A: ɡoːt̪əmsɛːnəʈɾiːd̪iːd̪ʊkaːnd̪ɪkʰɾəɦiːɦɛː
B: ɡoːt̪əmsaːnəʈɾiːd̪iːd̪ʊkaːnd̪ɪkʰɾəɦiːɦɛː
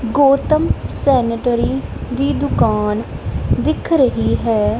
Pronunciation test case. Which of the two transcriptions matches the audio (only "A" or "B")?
A